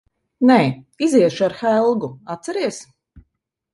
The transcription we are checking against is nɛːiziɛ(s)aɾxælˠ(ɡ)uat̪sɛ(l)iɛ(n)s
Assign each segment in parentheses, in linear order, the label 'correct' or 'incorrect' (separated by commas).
incorrect, correct, incorrect, incorrect